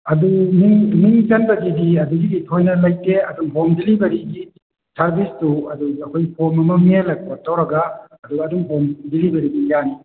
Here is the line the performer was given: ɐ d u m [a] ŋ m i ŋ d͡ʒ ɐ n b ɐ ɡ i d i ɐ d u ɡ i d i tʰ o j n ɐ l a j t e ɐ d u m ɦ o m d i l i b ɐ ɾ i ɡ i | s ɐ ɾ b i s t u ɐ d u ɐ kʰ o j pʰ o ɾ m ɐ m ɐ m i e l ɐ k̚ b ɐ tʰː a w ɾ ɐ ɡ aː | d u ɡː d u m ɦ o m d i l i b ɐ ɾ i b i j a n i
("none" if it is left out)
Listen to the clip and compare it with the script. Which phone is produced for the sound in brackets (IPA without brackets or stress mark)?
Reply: i